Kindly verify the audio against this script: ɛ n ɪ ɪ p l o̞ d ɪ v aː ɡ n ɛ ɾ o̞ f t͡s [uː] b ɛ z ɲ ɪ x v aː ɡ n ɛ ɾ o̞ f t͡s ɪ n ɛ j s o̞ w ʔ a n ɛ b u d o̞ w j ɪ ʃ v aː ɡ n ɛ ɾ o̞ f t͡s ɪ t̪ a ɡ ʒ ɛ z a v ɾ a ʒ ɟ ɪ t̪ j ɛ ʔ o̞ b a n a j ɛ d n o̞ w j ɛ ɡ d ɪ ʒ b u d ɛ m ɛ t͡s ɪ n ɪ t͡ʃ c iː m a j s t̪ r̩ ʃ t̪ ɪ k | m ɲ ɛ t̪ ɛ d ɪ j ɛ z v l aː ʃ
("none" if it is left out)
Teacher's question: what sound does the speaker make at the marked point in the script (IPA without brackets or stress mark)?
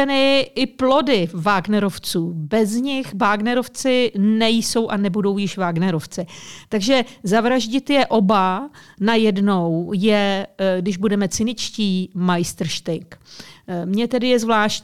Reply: uː